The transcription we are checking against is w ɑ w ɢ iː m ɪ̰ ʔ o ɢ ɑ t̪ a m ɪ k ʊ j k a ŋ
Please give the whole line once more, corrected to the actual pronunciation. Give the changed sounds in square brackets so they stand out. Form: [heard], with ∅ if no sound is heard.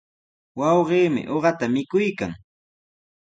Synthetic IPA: w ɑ w ɢ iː m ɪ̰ ʔ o ɢ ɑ t̪ a m ɪ k ʊ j k a ŋ